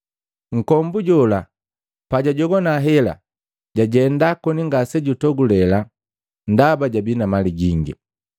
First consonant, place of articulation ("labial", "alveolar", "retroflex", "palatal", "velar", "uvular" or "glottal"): velar